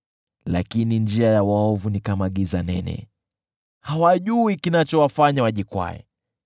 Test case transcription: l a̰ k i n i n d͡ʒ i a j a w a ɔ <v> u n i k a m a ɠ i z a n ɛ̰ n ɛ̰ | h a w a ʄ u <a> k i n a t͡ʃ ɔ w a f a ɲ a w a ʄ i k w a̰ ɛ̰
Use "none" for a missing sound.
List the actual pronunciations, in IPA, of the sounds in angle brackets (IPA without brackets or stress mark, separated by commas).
v, i